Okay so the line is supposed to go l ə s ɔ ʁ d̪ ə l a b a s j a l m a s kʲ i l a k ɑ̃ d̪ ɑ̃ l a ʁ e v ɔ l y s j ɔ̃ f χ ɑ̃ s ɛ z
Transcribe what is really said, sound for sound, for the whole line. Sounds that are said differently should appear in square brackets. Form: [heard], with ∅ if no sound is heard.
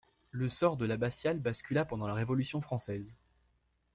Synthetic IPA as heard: l ə s ɔ ʁ d̪ ə l a b a s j a l [b] a s kʲ [y] l a [p] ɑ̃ d̪ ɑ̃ l a ʁ e v ɔ l y s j ɔ̃ f χ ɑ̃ s ɛ z